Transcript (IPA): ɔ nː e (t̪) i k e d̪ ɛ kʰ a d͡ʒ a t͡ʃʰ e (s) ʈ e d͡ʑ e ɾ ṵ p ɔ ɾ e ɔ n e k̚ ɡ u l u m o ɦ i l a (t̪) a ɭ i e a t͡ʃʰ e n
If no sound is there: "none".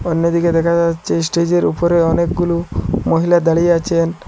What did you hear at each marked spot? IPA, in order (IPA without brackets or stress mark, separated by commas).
d̪, s, d̪